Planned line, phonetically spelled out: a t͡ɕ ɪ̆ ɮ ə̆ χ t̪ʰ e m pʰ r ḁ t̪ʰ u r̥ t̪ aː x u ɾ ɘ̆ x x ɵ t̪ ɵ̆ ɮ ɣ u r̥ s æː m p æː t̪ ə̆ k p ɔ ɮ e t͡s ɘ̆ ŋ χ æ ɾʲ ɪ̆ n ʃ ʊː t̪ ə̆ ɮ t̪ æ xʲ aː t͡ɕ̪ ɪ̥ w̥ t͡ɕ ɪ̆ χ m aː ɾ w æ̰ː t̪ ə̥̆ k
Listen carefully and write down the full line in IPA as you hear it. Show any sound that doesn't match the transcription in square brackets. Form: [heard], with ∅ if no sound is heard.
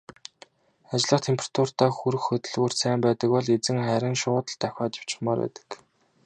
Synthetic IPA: a t͡ɕ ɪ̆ ɮ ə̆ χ t̪ʰ e m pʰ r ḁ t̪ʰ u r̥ t̪ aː x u ɾ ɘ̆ x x ɵ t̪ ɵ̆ ɮ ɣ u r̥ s æː m p æː t̪ ə̆ k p ɔ ɮ e t͡s ɘ̆ ŋ χ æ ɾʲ ɪ̆ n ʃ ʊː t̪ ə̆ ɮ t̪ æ xʲ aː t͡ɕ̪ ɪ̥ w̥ t͡ɕ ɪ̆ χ m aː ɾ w æ̰ː t̪ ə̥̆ k